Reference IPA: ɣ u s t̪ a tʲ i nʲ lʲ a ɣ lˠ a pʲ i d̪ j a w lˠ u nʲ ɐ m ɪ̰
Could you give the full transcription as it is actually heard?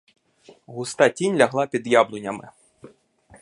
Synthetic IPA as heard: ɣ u s t̪ a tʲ i nʲ lʲ a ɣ lˠ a pʲ i d̪ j a b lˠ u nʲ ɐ m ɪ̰